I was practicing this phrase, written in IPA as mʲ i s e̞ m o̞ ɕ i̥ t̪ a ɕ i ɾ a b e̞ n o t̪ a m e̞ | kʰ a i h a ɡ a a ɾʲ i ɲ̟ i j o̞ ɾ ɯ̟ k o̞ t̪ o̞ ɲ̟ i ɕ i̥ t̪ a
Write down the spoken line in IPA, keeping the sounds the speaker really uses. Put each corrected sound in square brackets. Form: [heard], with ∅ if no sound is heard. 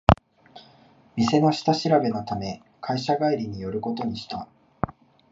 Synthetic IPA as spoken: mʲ i s e̞ [n] o̞ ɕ i̥ t̪ a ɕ i ɾ a b e̞ n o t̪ a m e̞ | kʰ a i [ɕ] a ɡ a [i] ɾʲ i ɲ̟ i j o̞ ɾ ɯ̟ k o̞ t̪ o̞ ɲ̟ i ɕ i̥ t̪ a